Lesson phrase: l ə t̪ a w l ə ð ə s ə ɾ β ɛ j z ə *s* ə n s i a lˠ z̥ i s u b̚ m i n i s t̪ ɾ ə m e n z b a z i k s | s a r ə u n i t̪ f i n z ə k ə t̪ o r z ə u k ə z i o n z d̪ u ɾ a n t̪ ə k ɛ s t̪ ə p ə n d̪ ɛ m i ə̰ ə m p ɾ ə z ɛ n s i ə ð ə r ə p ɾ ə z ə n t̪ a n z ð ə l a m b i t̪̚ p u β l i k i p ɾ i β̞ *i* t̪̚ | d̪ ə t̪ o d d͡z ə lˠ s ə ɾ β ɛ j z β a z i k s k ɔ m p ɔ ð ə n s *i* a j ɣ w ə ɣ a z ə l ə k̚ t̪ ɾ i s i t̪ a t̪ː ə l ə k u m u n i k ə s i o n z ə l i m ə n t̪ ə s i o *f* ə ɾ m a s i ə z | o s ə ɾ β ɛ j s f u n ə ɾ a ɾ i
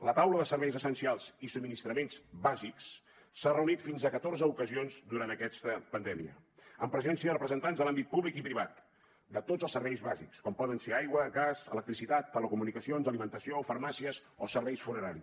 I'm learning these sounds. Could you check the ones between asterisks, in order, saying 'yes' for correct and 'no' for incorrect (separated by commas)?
yes, no, no, yes